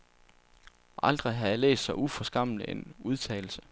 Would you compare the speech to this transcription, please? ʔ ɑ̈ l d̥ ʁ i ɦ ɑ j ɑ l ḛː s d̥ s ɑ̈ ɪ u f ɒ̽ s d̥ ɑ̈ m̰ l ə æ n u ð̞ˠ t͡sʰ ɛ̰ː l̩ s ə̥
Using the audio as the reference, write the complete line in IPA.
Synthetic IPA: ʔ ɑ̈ l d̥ ʁ i ɦ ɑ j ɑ l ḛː s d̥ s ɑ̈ ɪ u f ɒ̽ s ɡ̥ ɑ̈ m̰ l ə e n u ð̞ˠ t͡sʰ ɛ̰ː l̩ s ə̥